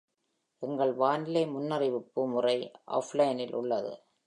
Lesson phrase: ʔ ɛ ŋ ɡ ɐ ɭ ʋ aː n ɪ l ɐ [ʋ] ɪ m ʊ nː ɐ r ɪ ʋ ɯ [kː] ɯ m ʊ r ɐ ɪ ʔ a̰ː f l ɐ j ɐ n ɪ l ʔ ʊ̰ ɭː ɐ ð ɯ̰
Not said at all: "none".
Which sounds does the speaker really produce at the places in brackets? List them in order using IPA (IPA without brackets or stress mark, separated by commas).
none, pː